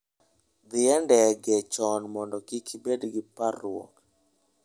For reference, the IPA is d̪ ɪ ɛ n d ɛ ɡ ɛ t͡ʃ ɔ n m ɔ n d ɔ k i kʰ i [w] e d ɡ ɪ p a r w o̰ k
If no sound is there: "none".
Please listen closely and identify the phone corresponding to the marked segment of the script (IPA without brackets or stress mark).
b